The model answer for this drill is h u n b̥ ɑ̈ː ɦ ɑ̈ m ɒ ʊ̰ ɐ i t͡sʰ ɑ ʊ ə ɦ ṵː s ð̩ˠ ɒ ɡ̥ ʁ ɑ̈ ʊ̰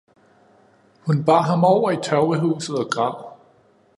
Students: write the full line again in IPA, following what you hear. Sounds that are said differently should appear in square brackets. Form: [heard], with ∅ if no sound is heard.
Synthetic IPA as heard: h u n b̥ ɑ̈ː ɦ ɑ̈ m ɒ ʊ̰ ɐ i t͡sʰ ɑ ʊ ə ɦ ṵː s ð̩ˠ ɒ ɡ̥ ʁ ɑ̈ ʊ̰

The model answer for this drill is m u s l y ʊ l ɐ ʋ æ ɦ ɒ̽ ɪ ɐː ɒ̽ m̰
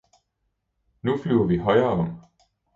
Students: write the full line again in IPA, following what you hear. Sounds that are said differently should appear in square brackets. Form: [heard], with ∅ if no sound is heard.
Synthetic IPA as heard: [n] u [f] l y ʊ [∅] ɐ ʋ [i] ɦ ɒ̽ ɪ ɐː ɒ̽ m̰

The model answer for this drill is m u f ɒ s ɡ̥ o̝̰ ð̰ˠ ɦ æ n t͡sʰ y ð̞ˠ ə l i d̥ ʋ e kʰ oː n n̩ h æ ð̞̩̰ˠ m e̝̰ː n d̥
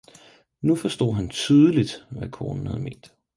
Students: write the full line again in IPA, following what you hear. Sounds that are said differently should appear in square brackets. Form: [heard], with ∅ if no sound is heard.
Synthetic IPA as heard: [n] u f ɒ s [d̥] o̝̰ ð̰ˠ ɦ æ n t͡sʰ y ð̞ˠ ə l i d̥ ʋ [æ] kʰ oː n n̩ h æ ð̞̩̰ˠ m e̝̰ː n d̥

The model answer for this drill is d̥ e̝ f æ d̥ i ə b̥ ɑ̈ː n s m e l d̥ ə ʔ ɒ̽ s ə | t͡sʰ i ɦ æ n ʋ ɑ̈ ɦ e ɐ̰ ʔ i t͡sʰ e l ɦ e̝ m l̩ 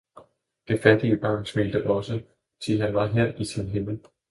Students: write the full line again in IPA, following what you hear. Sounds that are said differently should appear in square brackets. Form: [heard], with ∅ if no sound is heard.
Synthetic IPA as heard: d̥ e̝ f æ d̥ i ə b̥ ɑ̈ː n s m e l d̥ ə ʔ ɒ̽ s ə | t͡sʰ i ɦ æ n ʋ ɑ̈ ɦ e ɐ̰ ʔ i t͡sʰ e l ɦ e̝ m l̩

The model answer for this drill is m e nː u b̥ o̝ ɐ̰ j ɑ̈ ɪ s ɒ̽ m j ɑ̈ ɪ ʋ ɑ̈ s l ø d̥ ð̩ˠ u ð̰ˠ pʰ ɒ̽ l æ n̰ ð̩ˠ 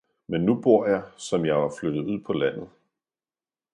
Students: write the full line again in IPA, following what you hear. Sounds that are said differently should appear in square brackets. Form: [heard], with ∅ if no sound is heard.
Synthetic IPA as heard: m e nː u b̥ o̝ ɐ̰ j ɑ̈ ɪ s ɒ̽ m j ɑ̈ ɪ ʋ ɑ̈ [f] l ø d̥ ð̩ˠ u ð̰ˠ pʰ ɒ̽ l æ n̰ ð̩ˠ

